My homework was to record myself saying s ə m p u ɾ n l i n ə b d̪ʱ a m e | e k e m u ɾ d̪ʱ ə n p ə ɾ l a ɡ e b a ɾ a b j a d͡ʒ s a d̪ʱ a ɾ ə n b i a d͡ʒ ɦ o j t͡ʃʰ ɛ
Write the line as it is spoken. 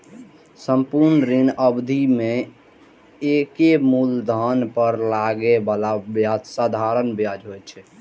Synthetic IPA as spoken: s ə m p u ɾ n ɾ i n ə b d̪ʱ i m e | e k e m u l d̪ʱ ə n p ə ɾ l a ɡ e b a l a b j a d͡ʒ s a d̪ʱ a ɾ ə n b j a d͡ʒ ɦ o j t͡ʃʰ ɛ